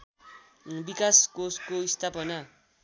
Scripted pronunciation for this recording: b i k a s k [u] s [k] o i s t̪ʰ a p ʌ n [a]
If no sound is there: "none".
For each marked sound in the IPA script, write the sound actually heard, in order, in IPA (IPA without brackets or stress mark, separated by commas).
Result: o, k, a